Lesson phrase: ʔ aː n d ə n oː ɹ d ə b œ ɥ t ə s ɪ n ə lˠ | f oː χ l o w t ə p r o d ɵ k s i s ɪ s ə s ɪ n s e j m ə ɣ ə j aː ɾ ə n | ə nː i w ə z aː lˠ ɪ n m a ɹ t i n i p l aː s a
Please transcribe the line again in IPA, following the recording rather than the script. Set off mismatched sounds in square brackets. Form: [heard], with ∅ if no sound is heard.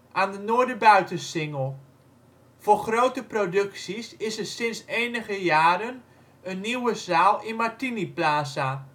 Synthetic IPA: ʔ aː n d ə n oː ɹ d ə b œ ɥ t ə s ɪ [ŋ] ə lˠ | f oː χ [r] o w t ə p r o d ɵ k s i s ɪ s ə s ɪ n s e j [n] ə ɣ ə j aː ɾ ə n | ə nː i w ə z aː lˠ ɪ n m a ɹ t i n i p l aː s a